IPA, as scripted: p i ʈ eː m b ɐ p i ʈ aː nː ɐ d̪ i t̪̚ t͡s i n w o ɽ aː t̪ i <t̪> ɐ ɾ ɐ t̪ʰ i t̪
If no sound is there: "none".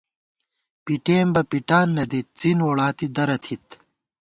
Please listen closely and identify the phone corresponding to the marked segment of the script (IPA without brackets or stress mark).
d̪